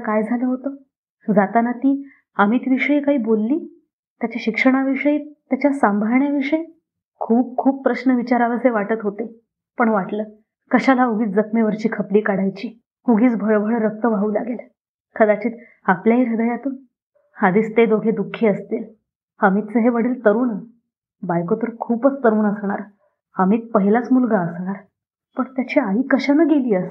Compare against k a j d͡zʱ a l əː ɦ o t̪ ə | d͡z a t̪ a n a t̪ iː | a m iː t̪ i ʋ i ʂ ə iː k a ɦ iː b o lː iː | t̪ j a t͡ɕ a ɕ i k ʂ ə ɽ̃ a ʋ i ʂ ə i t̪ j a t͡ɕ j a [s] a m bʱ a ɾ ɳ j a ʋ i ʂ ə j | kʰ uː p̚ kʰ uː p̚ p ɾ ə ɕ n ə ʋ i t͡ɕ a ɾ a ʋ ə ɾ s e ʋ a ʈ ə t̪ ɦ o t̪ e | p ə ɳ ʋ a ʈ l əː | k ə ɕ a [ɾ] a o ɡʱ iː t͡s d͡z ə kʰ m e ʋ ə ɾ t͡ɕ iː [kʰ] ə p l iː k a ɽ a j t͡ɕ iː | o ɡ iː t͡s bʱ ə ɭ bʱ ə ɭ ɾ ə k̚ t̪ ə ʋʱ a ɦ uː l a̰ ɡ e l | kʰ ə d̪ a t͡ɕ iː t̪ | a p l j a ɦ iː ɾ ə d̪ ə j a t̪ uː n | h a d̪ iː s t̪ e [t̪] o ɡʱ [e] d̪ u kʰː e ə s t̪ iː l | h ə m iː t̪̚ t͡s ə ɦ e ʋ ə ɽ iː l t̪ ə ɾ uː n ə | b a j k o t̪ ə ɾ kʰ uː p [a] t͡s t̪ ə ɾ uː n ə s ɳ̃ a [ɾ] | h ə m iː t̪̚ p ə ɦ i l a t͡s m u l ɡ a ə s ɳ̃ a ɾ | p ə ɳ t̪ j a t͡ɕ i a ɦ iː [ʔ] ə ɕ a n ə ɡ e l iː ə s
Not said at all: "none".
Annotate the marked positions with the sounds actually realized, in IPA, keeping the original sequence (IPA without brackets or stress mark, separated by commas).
s, l, kʰ, d̪, e, ə, ɾ, k